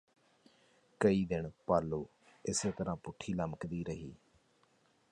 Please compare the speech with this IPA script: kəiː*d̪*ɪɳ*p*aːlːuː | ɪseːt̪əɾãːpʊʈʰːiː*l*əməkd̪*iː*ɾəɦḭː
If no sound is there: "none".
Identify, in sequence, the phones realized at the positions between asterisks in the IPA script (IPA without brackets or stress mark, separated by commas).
d̪, p, l, iː